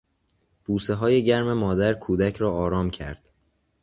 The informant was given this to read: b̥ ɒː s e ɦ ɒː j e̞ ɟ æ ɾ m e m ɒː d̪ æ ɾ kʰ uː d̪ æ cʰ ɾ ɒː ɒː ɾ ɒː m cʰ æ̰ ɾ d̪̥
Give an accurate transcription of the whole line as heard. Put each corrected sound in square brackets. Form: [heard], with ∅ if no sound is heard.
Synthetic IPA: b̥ [uː] s e ɦ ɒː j e̞ ɟ æ ɾ m e m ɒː d̪ æ ɾ kʰ uː d̪ æ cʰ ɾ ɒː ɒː ɾ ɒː m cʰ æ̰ ɾ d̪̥